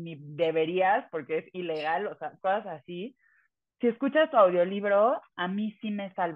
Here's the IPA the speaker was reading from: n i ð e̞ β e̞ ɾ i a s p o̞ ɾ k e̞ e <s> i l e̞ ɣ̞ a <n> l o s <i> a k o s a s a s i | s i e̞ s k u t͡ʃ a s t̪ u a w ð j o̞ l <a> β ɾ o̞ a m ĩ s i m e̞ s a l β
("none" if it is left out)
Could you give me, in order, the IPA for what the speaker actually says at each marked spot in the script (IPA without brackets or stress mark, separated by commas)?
s, none, e, i